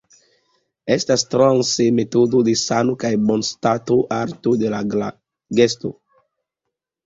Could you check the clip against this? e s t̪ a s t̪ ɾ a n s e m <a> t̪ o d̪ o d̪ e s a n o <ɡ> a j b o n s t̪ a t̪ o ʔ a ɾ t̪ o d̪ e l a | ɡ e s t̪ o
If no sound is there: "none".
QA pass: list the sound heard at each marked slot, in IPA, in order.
e, k

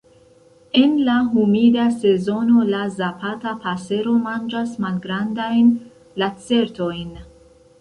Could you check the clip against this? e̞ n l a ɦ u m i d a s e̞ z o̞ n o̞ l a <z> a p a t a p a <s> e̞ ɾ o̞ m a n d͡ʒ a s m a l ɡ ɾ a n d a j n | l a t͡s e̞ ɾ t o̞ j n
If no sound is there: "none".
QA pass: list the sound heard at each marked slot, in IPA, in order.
z, s

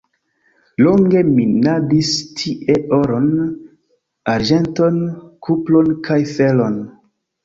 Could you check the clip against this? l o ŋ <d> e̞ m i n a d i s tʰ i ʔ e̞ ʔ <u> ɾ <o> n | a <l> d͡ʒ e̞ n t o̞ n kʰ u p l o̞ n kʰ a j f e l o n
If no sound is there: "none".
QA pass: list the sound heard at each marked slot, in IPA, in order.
ɡ, o, o, ɾ

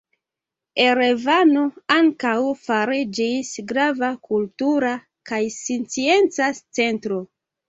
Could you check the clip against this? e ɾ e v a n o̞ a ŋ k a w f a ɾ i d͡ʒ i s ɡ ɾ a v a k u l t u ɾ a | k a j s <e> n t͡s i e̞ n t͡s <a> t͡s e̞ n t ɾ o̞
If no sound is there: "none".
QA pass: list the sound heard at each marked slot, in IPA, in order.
i, a

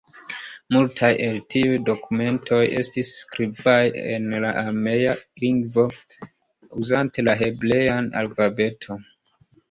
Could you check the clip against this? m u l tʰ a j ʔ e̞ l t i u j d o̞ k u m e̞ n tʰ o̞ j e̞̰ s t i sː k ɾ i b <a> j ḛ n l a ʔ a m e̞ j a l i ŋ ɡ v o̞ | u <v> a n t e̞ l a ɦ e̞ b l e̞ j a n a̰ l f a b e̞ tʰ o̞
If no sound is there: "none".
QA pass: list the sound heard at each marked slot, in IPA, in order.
a, z

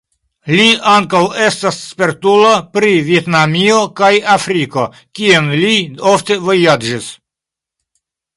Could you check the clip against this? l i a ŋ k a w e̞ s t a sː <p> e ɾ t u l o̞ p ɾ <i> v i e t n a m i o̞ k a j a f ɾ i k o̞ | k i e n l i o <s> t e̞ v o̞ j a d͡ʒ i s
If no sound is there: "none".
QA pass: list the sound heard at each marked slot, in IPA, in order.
p, i, f

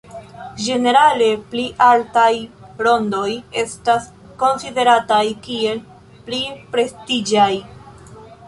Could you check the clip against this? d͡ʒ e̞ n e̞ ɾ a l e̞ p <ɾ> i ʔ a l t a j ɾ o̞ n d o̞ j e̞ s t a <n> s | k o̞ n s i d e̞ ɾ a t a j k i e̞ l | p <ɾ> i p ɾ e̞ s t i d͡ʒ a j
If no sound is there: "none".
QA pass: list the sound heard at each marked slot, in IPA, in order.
l, none, l

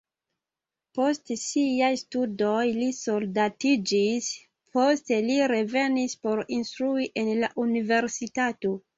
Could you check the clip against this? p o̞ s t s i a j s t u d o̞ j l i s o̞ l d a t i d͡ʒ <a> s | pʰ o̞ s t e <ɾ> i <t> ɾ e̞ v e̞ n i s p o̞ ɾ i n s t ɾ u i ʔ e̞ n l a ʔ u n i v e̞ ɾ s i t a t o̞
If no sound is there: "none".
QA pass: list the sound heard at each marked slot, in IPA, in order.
i, l, none

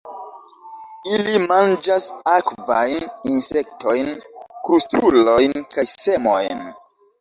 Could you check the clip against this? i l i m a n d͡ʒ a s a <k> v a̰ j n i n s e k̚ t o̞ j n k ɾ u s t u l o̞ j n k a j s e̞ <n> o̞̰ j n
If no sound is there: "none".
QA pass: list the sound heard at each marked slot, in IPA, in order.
k, m

